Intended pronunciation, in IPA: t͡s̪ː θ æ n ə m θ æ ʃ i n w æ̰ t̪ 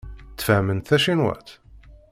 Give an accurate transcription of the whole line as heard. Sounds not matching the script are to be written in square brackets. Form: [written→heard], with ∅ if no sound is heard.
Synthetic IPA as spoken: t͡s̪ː [θ→f] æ [n→m] ə [m→n] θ æ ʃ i n w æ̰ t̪